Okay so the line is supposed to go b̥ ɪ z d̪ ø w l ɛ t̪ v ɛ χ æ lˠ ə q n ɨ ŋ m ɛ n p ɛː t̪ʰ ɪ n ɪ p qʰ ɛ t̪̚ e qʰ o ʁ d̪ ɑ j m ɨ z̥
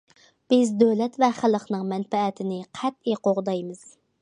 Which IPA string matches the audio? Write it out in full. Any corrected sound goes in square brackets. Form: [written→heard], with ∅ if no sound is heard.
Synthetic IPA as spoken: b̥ ɪ z d̪ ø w l ɛ t̪ v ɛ χ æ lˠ ə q n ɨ ŋ m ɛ n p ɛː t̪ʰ ɪ n ɪ [p→∅] qʰ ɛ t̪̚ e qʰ o ʁ d̪ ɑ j m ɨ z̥